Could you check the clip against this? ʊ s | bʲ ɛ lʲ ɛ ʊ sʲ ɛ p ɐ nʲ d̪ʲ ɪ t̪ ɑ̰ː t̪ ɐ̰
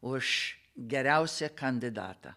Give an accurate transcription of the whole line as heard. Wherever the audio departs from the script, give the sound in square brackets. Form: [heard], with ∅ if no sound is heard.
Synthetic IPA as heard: ʊ [ʃ] | [ɡʲ] ɛ [ɾʲ] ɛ ʊ sʲ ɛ [k] ɐ nʲ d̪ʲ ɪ [d̪] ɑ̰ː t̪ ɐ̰